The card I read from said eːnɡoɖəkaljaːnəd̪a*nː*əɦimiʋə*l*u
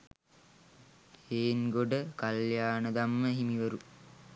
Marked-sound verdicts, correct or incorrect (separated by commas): incorrect, incorrect